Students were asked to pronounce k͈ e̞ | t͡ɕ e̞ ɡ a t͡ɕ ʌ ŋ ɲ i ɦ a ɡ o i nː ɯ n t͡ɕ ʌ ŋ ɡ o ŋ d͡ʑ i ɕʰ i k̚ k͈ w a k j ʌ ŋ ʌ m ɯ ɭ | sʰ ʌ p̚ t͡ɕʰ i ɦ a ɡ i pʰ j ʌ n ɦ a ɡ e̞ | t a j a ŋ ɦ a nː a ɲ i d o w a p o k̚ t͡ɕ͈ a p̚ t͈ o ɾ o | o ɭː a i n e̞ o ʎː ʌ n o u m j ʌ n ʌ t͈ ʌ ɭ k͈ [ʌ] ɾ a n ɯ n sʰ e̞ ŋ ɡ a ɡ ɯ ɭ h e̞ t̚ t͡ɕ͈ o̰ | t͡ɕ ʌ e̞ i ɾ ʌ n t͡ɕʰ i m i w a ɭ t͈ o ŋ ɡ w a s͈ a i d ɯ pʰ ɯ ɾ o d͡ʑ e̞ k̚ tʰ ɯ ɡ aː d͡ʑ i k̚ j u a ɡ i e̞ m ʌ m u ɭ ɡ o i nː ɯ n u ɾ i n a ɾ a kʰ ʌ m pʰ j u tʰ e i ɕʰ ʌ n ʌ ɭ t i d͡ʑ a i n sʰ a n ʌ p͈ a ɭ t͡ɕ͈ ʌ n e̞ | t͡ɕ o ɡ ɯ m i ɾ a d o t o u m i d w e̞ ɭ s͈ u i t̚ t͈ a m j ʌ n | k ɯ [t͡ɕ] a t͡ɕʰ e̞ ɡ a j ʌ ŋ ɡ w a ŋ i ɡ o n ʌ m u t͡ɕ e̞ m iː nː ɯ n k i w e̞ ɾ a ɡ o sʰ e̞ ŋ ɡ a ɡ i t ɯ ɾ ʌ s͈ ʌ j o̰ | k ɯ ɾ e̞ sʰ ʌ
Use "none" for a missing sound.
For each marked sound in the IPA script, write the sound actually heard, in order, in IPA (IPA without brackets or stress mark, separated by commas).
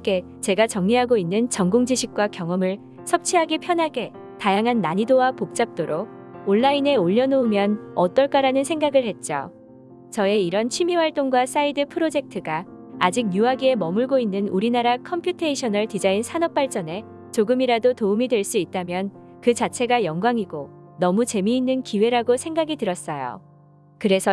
a, t͡ɕ